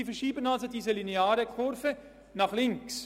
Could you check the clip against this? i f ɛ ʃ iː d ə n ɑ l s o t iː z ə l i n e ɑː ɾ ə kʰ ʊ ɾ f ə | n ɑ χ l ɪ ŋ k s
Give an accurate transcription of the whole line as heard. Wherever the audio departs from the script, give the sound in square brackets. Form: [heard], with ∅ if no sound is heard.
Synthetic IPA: i f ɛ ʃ iː [b] ə n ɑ l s o [d] iː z ə l i n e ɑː ɾ ə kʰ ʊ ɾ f ə | n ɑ χ l ɪ ŋ k s